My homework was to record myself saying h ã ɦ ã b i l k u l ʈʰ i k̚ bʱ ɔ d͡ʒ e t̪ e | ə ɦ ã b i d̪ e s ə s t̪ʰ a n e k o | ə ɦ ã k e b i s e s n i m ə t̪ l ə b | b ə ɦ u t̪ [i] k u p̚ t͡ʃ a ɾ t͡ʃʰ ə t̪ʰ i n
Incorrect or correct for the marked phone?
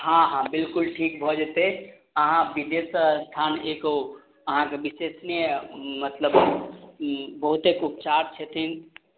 incorrect: e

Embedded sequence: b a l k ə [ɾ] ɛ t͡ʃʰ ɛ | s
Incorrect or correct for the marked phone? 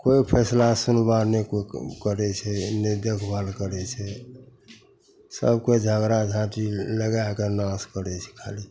correct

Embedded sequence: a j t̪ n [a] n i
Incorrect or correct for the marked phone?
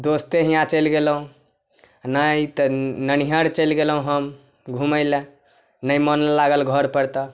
incorrect: ə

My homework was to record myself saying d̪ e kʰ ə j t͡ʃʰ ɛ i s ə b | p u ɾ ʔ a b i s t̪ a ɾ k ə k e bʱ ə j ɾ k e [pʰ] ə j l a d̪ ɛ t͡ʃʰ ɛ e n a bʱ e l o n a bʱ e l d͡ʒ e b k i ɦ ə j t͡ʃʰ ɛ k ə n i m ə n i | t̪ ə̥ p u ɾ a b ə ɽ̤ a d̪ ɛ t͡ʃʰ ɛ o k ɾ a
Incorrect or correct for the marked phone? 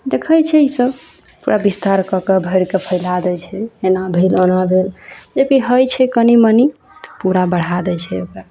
correct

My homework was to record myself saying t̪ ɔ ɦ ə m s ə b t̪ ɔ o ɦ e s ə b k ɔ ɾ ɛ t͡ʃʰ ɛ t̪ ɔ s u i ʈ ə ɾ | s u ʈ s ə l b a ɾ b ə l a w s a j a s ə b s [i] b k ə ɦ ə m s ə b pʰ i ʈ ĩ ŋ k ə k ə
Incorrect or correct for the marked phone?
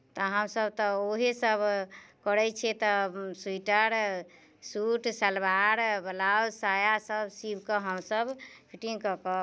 correct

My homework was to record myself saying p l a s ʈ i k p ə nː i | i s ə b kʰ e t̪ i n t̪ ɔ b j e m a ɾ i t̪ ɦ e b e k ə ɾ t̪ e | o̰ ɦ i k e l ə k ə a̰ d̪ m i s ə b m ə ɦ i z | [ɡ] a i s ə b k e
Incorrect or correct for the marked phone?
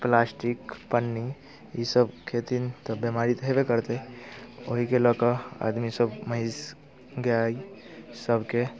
correct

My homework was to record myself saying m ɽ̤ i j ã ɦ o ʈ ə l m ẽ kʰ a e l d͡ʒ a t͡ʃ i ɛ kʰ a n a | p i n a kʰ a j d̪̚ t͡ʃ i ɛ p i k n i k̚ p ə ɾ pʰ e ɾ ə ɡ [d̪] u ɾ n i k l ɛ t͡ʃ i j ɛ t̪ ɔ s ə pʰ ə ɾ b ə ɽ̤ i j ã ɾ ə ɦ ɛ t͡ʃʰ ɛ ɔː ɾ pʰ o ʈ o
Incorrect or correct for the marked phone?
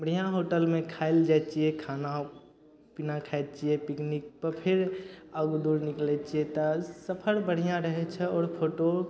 correct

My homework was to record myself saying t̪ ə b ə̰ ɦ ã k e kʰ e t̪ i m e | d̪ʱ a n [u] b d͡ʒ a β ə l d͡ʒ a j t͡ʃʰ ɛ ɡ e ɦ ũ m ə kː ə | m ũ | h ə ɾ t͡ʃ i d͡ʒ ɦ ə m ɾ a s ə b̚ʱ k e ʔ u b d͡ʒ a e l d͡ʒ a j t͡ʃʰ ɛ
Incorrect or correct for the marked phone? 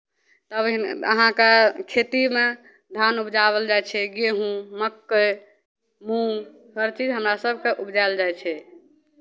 correct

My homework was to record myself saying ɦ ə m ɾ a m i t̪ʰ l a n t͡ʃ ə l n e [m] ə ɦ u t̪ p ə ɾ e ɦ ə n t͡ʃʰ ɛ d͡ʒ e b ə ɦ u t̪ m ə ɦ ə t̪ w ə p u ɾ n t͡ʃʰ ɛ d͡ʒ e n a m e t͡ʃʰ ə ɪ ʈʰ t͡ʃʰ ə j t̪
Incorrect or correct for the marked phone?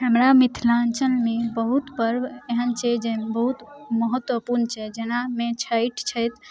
incorrect: b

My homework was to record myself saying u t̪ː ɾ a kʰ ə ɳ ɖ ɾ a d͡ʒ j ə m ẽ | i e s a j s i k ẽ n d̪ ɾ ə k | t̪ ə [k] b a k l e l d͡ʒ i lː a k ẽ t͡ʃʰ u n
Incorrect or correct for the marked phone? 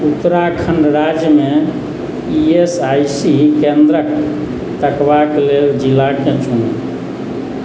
correct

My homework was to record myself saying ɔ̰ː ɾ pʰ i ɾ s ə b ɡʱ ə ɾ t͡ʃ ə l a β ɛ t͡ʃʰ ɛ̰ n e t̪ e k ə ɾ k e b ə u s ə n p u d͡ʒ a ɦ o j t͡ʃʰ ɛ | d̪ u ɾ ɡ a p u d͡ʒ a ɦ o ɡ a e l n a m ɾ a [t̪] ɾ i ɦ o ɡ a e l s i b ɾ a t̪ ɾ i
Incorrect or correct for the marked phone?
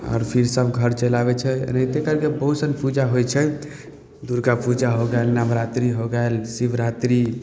correct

